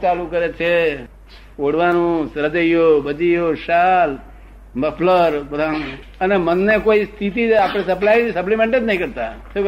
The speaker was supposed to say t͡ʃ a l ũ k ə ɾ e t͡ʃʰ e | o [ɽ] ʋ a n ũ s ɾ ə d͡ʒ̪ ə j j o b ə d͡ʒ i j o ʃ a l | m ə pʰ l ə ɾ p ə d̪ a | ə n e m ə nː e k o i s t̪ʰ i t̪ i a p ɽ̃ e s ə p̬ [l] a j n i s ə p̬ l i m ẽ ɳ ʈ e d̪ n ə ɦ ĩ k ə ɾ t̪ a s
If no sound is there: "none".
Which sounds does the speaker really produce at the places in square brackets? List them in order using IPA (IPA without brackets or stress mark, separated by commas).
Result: ɽ, l